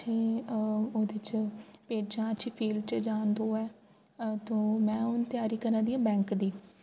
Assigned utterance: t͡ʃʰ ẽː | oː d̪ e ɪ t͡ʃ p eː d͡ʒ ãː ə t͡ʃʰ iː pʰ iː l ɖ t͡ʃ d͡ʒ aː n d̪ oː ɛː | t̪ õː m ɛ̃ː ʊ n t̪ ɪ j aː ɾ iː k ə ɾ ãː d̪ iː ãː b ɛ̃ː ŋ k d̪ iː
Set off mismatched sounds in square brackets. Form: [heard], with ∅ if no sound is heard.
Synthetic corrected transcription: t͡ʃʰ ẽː | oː d̪ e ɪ t͡ʃ p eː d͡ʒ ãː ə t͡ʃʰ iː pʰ iː l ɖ t͡ʃ d͡ʒ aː n d̪ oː ɛː | t̪ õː m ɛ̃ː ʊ n t̪ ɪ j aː ɾ iː k ə ɾ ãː d̪ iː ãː b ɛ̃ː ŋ k d̪ iː